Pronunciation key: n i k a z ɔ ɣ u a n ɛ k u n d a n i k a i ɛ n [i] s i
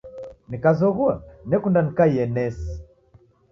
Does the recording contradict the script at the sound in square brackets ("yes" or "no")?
yes